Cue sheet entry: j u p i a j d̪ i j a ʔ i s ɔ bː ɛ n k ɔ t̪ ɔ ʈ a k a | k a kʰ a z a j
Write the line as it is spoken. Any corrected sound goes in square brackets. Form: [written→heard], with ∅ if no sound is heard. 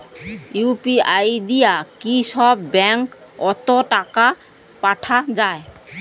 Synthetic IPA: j u p i a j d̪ i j a [ʔ→k] i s ɔ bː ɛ [n→ŋ] k ɔ t̪ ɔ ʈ a k a | [k→p] a [kʰ→ʈʰ] a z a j